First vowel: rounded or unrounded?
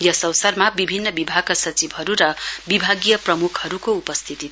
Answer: unrounded